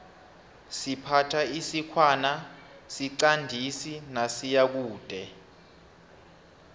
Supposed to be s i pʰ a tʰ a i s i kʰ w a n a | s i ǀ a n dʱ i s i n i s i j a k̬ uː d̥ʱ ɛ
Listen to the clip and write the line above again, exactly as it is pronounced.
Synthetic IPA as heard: s i pʰ a tʰ a i s i kʰ w a n a | s i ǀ a n dʱ i s i n a s i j a k̬ uː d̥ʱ ɛ